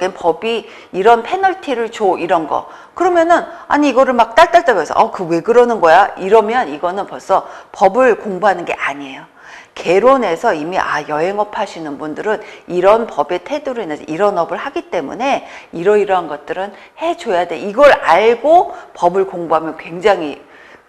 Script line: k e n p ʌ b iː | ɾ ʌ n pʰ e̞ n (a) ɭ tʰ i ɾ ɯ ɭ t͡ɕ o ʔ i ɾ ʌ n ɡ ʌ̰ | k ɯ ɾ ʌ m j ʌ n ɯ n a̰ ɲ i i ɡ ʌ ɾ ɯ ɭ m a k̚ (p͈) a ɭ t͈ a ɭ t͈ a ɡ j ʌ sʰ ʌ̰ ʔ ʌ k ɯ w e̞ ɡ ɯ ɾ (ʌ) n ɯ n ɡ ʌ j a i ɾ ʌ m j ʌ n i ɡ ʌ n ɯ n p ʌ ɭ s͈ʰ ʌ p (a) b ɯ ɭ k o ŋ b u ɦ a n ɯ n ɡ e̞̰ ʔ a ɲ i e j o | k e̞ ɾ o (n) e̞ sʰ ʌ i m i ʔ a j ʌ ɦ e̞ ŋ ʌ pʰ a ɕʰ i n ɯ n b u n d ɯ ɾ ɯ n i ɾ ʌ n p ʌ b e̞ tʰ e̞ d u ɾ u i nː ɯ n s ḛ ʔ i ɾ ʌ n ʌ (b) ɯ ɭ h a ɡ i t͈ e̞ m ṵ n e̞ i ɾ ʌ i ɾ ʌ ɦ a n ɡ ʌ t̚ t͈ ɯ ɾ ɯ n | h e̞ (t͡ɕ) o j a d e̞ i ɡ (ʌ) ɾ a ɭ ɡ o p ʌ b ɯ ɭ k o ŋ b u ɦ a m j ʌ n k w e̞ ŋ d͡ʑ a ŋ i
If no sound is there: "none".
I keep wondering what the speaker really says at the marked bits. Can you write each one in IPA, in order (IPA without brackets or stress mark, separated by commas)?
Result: ʌ, t͈, ʌ, ʌ, n, b, t͡ɕ, ʌ